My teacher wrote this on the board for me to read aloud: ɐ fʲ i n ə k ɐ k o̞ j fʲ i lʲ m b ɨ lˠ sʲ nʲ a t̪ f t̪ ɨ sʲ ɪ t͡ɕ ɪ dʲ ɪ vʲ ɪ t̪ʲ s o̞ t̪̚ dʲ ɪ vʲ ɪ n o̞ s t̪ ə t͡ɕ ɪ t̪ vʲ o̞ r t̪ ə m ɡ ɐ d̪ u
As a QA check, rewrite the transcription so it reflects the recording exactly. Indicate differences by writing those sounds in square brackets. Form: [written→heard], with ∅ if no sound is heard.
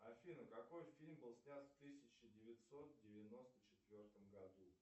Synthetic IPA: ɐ fʲ i n ə k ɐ k o̞ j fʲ i lʲ m b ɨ lˠ sʲ nʲ a t̪ f t̪ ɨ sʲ ɪ t͡ɕ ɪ dʲ ɪ vʲ ɪ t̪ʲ s o̞ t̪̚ dʲ ɪ vʲ ɪ n o̞ s t̪ ə t͡ɕ ɪ t̪ vʲ o̞ r t̪ ə m ɡ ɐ d̪ u